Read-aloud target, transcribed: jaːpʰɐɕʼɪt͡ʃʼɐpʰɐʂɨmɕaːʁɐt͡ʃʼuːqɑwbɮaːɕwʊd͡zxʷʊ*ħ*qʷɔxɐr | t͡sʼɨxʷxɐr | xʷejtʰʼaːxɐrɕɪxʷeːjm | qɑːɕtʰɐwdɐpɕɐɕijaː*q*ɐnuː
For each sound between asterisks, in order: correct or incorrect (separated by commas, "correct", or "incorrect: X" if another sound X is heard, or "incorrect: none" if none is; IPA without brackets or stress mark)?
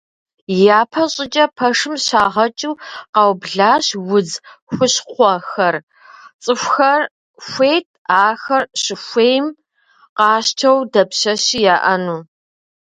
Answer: incorrect: ɕ, incorrect: ʔ